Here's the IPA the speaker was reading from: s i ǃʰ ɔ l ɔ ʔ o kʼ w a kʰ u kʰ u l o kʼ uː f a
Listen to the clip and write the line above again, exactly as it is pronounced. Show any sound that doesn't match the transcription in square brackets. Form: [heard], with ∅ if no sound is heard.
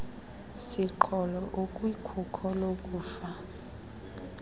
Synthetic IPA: s i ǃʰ ɔ l ɔ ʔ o kʼ w [i] kʰ u kʰ [ɔ] l o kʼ uː f a